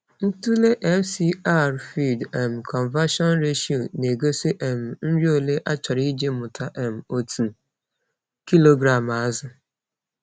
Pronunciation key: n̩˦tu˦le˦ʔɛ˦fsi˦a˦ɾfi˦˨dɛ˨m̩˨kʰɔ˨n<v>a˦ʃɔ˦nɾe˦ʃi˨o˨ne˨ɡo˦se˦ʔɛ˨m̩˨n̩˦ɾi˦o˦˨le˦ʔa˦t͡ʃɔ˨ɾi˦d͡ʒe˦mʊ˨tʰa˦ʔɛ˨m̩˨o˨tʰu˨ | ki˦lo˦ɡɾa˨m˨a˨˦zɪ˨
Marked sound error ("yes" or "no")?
no